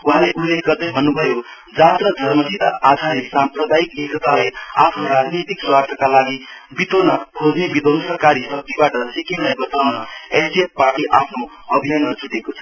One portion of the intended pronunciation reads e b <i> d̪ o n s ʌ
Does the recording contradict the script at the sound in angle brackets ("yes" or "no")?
no